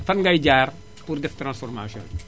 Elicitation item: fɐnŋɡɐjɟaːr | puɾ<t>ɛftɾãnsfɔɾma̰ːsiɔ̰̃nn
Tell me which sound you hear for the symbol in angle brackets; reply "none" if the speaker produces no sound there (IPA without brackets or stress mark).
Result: d